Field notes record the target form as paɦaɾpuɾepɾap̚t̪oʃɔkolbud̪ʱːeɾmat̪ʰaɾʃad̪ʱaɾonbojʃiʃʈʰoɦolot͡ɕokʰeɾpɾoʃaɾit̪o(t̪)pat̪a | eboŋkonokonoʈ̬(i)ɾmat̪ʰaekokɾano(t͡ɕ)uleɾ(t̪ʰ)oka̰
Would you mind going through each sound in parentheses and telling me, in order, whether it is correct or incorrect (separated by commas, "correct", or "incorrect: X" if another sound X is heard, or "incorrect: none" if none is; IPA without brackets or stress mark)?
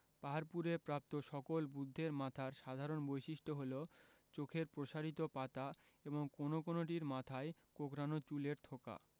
incorrect: none, correct, correct, correct